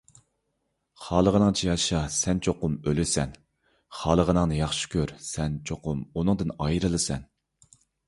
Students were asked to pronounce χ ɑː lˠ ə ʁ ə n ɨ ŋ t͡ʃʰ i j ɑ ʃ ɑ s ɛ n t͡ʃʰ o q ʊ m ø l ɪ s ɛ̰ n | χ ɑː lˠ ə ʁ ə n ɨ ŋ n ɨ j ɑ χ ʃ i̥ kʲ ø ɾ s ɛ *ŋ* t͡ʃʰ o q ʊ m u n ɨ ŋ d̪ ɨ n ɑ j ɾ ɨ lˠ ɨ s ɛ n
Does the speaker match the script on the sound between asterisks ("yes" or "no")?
no